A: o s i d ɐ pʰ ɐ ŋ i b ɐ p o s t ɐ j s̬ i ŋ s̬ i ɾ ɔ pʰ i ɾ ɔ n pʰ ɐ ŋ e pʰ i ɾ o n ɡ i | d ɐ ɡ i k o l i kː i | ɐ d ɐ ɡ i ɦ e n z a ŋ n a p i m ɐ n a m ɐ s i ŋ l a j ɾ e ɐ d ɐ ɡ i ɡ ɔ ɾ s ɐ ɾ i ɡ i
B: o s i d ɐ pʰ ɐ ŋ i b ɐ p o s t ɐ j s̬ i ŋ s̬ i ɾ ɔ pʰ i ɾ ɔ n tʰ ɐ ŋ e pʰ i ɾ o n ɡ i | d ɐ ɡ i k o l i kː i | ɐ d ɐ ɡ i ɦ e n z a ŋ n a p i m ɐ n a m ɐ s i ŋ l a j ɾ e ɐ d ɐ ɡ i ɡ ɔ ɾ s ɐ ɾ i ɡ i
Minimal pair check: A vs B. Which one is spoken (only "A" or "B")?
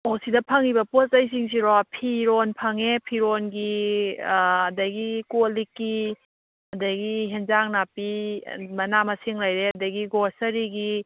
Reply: A